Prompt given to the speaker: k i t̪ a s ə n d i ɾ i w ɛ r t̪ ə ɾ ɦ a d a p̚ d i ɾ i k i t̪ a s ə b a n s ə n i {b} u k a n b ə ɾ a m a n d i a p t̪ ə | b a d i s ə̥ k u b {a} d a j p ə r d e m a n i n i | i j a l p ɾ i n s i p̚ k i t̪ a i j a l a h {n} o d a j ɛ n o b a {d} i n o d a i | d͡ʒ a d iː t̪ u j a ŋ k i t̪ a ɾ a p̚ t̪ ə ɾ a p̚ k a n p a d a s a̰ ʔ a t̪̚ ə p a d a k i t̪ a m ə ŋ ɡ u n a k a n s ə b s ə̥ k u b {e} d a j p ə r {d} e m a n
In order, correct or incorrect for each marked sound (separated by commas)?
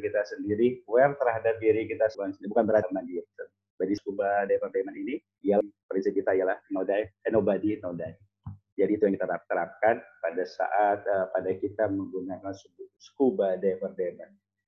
correct, correct, correct, correct, incorrect, correct